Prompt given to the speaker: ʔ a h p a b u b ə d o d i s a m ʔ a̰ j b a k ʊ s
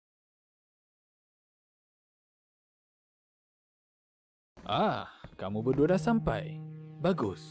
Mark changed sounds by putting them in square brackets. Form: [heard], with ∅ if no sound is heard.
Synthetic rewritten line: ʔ a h [k] a [m] u b ə d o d [a] s a m [p] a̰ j b a [ɡ] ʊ s